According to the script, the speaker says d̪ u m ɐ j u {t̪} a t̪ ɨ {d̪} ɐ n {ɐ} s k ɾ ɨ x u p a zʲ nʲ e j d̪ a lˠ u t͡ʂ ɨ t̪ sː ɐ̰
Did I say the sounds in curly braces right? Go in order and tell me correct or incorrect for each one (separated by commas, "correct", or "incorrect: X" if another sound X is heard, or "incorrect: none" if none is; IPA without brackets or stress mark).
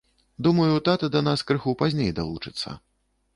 correct, correct, incorrect: a